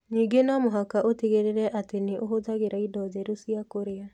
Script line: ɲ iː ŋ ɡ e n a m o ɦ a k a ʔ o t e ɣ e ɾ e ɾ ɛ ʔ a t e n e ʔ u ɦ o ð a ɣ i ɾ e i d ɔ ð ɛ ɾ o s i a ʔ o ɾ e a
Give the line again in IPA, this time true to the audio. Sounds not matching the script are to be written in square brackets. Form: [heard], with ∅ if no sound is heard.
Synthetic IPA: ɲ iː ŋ ɡ e n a m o ɦ a k a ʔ o t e ɣ e ɾ e ɾ ɛ ʔ a t e n e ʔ [o] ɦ o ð a ɣ [e] ɾ [a] i d ɔ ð ɛ ɾ o s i a [k] o ɾ e a